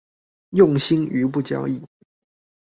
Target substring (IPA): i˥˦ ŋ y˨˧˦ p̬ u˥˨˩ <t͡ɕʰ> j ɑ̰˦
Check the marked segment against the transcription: incorrect: t͡ɕ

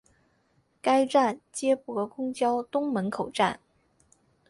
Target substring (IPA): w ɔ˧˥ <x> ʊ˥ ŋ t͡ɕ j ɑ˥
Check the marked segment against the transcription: incorrect: k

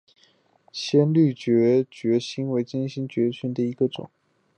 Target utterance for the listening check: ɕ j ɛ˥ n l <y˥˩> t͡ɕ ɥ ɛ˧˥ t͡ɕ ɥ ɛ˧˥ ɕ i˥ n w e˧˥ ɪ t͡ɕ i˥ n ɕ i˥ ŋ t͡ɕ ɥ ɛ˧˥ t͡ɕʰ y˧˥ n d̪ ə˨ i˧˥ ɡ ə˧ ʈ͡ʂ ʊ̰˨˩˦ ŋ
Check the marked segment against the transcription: correct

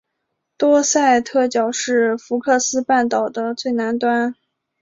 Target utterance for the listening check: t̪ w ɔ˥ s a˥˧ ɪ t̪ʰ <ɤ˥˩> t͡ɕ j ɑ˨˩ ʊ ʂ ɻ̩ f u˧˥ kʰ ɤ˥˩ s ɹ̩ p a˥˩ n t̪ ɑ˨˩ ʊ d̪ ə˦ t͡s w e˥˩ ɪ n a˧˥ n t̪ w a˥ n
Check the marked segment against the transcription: correct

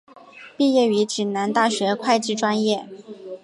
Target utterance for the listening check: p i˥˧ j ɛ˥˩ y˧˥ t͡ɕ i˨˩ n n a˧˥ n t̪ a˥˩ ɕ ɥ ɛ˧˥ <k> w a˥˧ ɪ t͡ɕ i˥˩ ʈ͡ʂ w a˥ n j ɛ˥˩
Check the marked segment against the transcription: incorrect: kʰ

